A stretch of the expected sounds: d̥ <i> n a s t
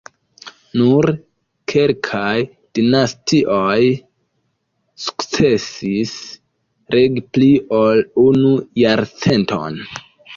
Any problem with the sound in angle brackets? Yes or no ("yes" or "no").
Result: no